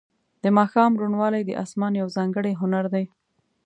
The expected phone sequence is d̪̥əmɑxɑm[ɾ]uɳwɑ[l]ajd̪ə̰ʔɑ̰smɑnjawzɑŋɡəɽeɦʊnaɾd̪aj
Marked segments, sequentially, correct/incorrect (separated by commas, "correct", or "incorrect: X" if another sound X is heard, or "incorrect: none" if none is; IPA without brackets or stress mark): correct, correct